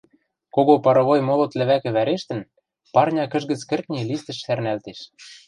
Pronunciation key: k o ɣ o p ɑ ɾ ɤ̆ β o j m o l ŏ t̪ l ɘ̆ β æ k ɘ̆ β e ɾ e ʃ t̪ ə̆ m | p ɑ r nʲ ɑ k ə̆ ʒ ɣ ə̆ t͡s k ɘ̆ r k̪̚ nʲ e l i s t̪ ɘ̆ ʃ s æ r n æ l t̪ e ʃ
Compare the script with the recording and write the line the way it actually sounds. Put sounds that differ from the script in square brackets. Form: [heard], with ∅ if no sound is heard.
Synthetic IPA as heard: k o ɣ o p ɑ ɾ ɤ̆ β o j m o l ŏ t̪ l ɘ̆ β æ k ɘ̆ β [æ] ɾ e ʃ t̪ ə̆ [n] | p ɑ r nʲ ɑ k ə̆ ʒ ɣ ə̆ t͡s k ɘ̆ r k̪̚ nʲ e l i s t̪ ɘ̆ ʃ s æ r n æ l t̪ e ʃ